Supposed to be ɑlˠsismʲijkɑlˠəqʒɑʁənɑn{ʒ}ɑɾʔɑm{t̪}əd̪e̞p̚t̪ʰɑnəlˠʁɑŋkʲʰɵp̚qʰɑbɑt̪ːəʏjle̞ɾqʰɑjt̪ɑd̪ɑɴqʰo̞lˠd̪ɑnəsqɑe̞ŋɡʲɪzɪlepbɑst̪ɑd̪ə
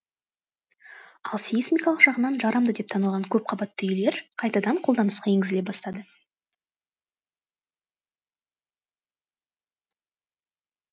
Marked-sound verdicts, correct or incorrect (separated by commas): correct, incorrect